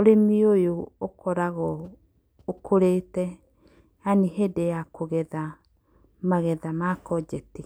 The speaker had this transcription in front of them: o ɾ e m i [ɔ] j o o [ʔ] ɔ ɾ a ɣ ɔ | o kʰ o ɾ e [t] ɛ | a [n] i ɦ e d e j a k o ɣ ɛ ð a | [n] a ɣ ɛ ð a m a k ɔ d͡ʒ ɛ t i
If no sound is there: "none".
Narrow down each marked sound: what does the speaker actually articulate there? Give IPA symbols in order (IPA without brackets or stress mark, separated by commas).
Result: o, k, t, n, m